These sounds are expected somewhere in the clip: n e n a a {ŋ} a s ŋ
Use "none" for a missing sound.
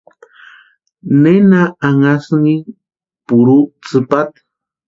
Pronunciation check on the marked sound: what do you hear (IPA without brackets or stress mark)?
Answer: ŋ